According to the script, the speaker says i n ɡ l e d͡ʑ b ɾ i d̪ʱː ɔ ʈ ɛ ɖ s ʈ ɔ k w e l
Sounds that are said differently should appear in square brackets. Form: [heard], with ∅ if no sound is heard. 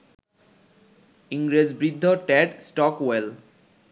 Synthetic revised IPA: i [ŋ] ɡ [ɾ] e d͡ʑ b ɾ i d̪ʱː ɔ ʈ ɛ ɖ s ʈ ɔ k w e l